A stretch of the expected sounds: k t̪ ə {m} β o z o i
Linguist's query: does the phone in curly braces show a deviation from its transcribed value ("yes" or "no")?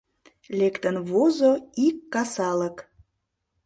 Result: yes